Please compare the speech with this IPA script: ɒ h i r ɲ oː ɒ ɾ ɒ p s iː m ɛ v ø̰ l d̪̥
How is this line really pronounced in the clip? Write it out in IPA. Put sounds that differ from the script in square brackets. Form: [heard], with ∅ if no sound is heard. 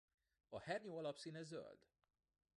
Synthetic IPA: ɒ h [ɛ] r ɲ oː ɒ [l] ɒ p s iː [n] ɛ [z] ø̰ l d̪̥